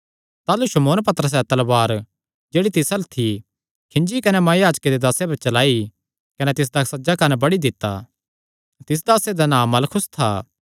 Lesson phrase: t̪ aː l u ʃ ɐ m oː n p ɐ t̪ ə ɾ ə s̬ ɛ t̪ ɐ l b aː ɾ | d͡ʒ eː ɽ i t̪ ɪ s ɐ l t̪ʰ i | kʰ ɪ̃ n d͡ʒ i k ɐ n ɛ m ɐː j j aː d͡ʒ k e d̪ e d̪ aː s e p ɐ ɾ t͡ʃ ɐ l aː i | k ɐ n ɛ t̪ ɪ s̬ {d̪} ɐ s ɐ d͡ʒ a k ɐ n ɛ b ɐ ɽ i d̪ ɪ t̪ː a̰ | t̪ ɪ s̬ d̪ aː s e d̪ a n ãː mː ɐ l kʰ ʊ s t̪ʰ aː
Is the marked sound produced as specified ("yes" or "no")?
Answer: yes